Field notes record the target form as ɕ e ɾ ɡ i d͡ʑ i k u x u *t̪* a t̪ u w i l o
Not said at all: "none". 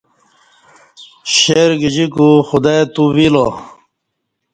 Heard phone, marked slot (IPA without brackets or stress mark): d̪